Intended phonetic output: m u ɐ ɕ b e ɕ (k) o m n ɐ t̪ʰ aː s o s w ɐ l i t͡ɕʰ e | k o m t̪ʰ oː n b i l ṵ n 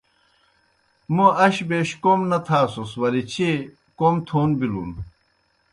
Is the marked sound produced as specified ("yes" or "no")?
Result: yes